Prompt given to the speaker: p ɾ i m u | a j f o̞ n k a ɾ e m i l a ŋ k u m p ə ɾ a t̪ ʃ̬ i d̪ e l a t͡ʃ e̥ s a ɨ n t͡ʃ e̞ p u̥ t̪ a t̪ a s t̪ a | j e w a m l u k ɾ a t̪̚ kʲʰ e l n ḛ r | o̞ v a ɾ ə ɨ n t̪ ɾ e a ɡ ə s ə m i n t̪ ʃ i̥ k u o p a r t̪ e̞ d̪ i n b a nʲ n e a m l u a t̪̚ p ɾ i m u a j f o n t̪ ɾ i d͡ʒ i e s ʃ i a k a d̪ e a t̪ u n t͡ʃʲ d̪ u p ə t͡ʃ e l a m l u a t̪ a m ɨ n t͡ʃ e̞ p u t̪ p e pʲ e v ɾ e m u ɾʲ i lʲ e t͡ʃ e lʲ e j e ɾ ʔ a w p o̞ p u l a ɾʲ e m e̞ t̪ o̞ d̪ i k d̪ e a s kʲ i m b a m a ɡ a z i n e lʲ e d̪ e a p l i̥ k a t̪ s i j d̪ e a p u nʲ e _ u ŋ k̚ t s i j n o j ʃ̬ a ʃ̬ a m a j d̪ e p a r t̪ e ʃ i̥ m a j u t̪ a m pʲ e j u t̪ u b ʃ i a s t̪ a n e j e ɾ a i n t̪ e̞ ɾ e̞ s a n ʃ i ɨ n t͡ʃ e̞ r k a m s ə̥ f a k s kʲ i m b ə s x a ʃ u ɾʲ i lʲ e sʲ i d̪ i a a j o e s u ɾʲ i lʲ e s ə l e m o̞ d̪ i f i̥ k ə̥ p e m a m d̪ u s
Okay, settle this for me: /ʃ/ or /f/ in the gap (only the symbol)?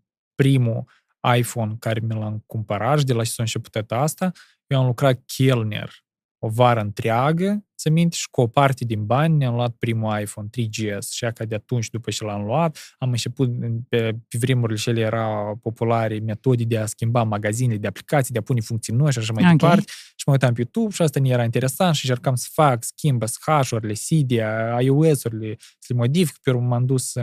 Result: f